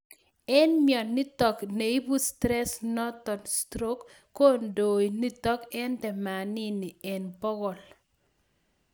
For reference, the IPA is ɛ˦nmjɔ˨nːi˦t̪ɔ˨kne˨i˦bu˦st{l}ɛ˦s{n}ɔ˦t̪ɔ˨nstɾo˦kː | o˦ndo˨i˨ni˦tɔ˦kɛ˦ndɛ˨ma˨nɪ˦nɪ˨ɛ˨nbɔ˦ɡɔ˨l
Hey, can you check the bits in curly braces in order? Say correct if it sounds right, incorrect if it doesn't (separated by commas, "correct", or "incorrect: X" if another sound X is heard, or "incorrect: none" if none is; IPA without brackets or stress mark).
incorrect: ɾ, correct